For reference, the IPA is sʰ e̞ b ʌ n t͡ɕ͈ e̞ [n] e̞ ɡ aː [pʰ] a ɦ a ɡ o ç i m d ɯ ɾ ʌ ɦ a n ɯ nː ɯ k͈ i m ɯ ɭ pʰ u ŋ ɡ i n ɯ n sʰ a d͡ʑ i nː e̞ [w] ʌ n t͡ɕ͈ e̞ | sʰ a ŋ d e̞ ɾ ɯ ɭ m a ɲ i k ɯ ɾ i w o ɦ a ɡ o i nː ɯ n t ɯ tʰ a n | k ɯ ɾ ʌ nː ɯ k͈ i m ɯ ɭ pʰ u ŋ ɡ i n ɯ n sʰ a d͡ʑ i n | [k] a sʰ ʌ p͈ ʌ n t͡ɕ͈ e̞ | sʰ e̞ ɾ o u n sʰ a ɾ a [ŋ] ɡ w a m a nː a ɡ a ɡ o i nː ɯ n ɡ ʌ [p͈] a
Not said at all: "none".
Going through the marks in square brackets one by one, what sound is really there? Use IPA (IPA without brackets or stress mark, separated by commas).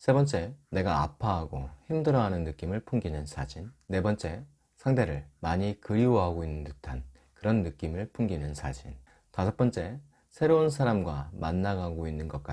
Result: n, pʰ, b, t, m, k͈